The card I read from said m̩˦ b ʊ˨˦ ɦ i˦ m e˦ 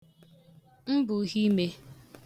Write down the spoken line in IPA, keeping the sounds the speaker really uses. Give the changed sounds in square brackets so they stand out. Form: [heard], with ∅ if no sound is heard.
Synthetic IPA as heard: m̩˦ b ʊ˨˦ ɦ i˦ m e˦